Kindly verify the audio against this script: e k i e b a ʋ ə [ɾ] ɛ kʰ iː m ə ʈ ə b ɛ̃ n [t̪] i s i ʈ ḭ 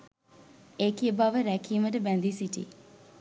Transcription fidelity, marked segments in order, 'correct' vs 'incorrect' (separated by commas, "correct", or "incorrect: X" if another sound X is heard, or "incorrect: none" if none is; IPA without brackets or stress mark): correct, incorrect: d̪